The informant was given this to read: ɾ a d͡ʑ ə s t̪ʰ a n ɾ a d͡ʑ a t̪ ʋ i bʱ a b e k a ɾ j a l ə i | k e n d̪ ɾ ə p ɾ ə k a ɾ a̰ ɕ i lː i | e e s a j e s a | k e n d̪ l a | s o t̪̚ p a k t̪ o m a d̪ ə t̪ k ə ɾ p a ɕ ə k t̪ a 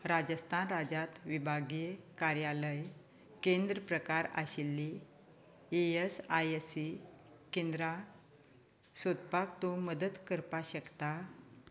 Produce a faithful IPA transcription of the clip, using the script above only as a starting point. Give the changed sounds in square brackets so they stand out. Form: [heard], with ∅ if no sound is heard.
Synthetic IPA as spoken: ɾ a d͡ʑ ə s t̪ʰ a n ɾ a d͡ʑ a t̪ ʋ i bʱ a [ɡ] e k a ɾ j a l ə [j] | k e n d̪ ɾ ə p ɾ ə k a ɾ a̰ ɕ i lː i | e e s a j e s [i] | k e n d̪ [ɾ] a | s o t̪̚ p a k t̪ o m [ə] d̪ ə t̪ k ə ɾ p a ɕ ə k t̪ a